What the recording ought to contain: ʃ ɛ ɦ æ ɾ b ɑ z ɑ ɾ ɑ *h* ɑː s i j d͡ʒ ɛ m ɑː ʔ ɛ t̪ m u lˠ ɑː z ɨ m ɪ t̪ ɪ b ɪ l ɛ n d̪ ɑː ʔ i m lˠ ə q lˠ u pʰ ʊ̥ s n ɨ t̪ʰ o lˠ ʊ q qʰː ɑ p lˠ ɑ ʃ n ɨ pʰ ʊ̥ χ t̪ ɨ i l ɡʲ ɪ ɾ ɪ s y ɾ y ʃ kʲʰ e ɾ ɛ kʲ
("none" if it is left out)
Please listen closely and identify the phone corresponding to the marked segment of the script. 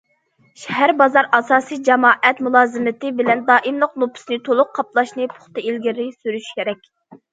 s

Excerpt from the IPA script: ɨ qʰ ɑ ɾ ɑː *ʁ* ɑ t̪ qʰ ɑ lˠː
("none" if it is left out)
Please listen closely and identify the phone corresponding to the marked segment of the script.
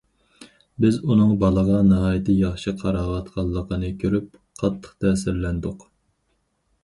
ʁ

